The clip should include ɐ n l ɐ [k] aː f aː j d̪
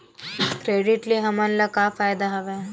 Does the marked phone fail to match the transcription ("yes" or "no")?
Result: no